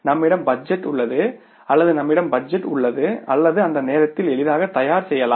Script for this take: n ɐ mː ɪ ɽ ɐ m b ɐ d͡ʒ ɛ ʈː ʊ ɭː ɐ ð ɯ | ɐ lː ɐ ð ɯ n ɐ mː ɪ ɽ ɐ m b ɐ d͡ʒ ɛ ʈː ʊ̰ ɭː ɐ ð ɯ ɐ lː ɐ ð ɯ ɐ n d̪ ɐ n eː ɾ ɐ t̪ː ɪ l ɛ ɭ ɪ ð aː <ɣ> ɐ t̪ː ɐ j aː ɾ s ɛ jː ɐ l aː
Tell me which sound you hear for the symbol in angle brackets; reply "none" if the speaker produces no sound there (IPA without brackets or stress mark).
ɣ